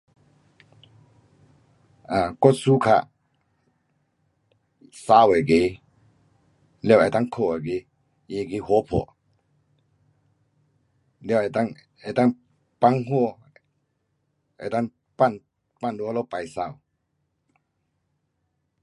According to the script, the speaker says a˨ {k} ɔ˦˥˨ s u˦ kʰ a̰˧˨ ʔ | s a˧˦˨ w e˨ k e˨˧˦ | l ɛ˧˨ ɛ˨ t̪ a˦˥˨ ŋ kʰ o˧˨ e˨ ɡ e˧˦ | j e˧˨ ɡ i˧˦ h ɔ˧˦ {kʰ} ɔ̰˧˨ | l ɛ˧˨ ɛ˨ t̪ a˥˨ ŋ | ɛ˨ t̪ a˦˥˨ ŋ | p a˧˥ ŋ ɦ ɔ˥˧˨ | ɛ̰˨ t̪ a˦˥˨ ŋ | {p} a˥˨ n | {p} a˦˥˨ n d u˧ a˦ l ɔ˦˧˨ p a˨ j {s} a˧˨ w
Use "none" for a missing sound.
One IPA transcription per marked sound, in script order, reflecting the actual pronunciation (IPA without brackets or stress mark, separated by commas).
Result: k, pʰ, p, p, s